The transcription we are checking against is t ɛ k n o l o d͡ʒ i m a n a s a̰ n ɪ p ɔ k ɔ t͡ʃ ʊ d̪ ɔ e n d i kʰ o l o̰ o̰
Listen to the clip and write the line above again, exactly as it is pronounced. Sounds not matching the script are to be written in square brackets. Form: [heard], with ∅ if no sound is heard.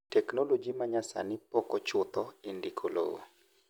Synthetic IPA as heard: t ɛ k n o l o d͡ʒ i m a [ɲ] a s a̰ n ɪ p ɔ k ɔ t͡ʃ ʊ [t̪] ɔ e n d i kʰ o l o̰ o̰